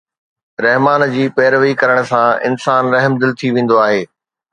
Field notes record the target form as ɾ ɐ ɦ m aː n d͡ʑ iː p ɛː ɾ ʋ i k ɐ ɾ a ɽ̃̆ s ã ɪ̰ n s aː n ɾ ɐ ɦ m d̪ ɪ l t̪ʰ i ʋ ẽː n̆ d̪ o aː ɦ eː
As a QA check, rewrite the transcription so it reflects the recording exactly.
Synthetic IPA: ɾ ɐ ɦ m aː n d͡ʑ iː p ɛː ɾ ʋ i k ɐ ɾ ə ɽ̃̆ s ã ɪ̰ n s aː n ɾ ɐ ɦ m d̪ ɪ l t̪ʰ i ʋ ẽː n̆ d̪ o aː ɦ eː